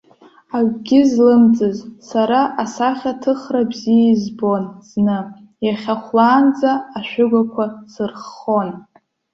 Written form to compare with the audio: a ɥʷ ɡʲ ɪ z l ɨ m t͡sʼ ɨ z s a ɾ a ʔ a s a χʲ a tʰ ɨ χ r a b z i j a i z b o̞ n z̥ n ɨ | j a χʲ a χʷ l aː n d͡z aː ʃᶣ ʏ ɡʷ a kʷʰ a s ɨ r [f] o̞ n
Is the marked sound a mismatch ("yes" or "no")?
yes